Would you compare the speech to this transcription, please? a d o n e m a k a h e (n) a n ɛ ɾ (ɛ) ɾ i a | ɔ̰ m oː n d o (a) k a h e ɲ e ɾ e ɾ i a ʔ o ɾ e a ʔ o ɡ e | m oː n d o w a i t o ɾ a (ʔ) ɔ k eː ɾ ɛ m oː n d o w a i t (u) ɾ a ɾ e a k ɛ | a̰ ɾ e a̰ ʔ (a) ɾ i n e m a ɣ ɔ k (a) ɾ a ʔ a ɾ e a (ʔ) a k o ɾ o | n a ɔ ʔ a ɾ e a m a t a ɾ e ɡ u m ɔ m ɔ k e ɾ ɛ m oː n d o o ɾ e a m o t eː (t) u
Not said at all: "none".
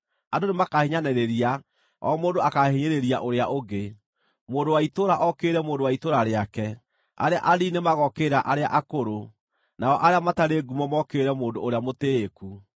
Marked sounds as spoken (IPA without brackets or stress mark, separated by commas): ɲ, e, a, ʔ, o, a, e, ʔ, k